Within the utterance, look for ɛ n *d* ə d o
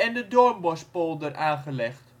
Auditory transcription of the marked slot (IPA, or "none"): d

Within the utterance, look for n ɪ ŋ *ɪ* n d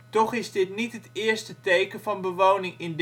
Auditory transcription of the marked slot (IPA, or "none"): ɪ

